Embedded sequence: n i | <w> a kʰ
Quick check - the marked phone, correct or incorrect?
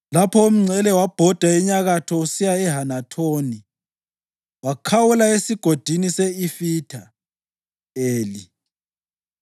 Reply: correct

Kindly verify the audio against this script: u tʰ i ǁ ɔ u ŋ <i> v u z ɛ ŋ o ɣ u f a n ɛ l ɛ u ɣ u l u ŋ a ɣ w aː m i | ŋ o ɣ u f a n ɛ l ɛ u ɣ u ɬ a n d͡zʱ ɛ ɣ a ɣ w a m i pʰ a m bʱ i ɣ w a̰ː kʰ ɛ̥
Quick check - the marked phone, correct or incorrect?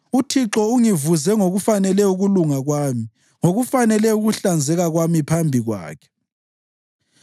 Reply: correct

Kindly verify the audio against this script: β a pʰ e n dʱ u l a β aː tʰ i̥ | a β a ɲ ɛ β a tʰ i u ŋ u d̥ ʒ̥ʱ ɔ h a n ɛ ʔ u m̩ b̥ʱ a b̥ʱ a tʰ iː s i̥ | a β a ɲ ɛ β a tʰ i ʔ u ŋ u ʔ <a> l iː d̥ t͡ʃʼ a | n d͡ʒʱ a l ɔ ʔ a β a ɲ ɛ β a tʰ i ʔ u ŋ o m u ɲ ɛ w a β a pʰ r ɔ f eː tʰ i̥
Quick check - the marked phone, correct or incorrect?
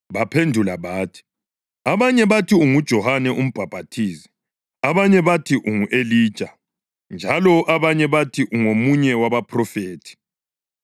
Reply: incorrect: e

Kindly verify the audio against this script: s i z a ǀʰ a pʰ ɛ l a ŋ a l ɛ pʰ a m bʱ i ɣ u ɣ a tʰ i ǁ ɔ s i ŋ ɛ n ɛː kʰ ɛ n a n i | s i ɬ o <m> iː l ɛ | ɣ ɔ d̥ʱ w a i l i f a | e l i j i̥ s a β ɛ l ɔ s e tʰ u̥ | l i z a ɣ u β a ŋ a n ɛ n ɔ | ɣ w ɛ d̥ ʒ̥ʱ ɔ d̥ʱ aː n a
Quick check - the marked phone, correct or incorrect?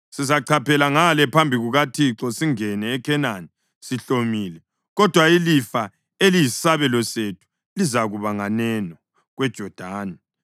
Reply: correct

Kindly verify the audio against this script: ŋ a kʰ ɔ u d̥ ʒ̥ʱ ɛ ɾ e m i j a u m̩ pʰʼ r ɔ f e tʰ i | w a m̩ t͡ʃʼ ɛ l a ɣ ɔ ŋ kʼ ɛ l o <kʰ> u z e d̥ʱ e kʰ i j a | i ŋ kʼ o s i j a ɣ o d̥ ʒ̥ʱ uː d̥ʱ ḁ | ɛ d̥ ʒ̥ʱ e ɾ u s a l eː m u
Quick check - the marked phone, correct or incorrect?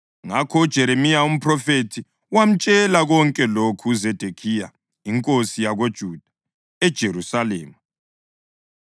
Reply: correct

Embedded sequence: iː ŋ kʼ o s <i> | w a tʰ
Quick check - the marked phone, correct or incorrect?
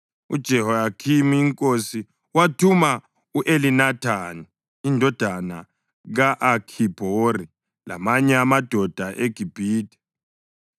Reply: correct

